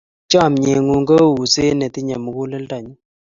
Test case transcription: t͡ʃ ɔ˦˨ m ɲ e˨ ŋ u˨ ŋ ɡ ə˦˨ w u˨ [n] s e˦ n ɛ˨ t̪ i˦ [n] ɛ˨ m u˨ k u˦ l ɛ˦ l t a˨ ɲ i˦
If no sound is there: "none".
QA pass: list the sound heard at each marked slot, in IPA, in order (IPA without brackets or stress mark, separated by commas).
none, ɲ